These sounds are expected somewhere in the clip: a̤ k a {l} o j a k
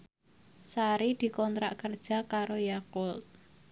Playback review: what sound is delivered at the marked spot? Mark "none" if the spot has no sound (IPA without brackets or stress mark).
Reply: ɾ